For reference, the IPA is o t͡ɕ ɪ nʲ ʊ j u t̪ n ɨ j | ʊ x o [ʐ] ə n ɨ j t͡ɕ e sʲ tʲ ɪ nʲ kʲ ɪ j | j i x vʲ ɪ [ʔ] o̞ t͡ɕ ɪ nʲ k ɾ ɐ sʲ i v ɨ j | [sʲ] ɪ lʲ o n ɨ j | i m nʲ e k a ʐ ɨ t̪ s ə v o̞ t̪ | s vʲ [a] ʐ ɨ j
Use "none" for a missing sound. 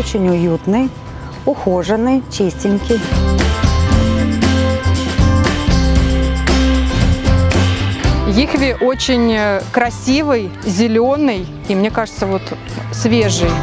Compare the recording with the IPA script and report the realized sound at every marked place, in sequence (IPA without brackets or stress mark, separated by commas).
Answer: ʐ, ʔ, zʲ, e